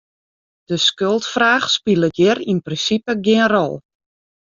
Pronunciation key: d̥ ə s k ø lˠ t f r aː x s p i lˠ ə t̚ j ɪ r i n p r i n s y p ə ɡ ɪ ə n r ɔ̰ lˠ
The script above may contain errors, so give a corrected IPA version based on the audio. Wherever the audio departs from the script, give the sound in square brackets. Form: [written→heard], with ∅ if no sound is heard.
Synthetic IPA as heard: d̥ ə s k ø lˠ t f r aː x s p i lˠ ə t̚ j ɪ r i n p r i n s [y→i] p ə ɡ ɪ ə n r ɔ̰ lˠ